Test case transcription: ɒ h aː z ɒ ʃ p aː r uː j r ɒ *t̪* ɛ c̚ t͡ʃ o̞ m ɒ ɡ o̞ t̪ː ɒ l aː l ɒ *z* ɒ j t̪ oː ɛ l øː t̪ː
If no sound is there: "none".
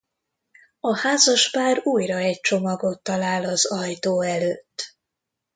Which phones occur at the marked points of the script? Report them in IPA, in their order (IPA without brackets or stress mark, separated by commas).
none, z